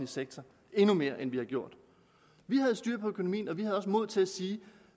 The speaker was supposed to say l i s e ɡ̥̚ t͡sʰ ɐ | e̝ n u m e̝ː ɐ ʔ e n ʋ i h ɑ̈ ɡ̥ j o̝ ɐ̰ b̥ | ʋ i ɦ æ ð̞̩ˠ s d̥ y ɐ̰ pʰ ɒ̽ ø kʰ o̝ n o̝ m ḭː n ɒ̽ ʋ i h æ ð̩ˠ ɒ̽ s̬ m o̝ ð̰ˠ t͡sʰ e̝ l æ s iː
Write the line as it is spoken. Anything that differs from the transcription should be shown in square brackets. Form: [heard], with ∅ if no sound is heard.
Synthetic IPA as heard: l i s e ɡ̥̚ t͡sʰ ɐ | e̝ n u m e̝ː ɐ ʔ e n ʋ i h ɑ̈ ɡ̥ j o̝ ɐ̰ [d̥] | ʋ i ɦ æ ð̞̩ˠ s d̥ y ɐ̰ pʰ ɒ̽ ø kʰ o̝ n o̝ m ḭː n ɒ̽ ʋ i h æ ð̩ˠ ɒ̽ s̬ m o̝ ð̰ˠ t͡sʰ e̝ l æ s iː